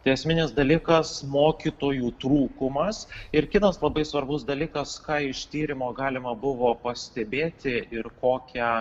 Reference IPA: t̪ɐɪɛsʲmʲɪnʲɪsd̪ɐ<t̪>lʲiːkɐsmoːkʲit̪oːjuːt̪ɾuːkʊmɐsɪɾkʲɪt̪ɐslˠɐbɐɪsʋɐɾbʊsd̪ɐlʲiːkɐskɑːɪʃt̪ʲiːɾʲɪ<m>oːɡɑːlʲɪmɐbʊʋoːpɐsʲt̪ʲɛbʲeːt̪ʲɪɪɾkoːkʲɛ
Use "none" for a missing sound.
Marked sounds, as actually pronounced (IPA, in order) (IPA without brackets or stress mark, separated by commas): none, m